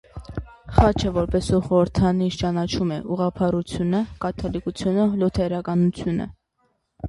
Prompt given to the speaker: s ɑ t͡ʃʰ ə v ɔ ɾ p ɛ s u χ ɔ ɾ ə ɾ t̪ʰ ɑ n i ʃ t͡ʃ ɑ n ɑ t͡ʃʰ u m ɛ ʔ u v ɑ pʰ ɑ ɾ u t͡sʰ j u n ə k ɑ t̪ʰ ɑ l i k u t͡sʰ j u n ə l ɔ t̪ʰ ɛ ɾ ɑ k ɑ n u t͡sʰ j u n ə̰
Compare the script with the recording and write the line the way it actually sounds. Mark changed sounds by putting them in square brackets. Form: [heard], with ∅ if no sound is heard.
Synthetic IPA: [χ] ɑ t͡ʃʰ ə v ɔ ɾ p ɛ s u χ ɔ ɾ ə ɾ t̪ʰ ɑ n i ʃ t͡ʃ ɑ n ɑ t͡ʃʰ u m ɛ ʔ u [ʁ] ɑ pʰ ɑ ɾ u t͡sʰ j u n ə k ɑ t̪ʰ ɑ l i k u t͡sʰ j u n ə l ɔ t̪ʰ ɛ ɾ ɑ k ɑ n u t͡sʰ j u n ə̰